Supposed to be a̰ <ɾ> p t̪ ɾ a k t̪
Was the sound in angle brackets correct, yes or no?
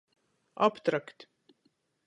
no